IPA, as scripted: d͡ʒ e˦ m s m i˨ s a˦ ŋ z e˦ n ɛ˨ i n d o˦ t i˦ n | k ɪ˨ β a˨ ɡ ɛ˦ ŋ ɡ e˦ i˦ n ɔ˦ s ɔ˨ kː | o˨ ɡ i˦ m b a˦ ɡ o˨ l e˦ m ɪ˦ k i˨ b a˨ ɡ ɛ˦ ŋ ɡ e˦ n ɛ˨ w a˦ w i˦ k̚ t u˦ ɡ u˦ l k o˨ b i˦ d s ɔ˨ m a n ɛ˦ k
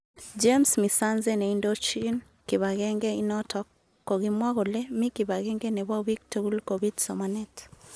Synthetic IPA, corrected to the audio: d͡ʒ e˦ m s m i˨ s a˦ n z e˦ n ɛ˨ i n d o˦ t͡ʃ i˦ n | k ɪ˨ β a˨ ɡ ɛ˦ ŋ ɡ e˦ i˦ n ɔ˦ t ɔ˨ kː | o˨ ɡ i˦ m w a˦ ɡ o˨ l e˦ m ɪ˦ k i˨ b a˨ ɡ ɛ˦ ŋ ɡ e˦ n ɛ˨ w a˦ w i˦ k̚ t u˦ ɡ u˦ l k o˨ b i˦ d s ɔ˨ m a n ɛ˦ t